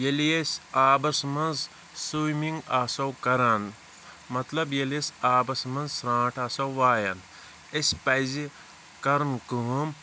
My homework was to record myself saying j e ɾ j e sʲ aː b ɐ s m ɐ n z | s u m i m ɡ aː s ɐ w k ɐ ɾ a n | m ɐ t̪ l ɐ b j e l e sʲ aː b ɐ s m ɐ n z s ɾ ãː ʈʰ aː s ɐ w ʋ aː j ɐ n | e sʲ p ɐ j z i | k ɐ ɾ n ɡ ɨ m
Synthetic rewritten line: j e l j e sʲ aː b ɐ s m ɐ n z | s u m i ŋ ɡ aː s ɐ w k ɐ ɾ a n | m ɐ t̪ l ɐ b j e l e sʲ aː b ɐ s m ɐ n z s ɾ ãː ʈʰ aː s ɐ w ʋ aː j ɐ n | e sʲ p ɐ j z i | k ɐ ɾ n k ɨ m